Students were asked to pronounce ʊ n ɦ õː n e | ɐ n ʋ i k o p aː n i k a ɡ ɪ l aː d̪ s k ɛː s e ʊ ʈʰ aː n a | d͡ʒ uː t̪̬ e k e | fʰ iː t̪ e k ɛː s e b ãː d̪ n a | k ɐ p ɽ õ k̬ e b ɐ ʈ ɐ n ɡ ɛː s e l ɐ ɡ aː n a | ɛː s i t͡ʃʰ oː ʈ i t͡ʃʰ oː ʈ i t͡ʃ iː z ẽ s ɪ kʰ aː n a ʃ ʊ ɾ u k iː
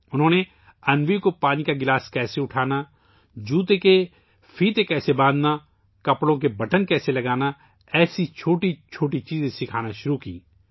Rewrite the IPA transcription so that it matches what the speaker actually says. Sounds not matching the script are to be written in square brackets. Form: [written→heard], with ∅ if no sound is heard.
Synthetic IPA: ʊ n ɦ õː n e | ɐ n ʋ i k o p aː n i k a ɡ ɪ l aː [d̪→∅] s k ɛː s e ʊ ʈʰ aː n a | d͡ʒ uː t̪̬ e k e | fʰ iː t̪ e k ɛː s e b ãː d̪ n a | k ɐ p ɽ õ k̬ e b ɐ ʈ [ɐ→ə] n [ɡ→k] ɛː s e l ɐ ɡ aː n a | ɛː s i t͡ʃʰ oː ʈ i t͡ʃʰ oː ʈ i t͡ʃ iː z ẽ s ɪ kʰ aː n a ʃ ʊ ɾ u k iː